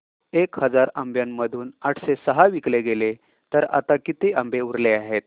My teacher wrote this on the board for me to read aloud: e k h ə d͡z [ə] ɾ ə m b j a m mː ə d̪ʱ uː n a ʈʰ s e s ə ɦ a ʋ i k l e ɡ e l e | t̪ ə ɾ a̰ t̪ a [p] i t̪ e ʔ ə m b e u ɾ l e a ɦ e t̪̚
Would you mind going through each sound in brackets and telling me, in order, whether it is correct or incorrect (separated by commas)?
incorrect, incorrect